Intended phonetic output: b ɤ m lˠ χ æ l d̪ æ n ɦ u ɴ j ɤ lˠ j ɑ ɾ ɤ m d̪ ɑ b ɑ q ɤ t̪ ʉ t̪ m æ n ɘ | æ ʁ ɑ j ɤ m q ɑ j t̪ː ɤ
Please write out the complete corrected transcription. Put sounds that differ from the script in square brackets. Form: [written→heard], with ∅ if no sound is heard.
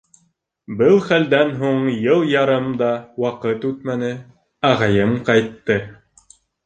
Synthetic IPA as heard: b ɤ [m→∅] lˠ χ æ l d̪ æ n ɦ u ɴ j ɤ lˠ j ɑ ɾ ɤ m d̪ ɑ [b→w] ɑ q ɤ t̪ ʉ t̪ m æ n ɘ | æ ʁ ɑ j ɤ m q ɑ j t̪ː ɤ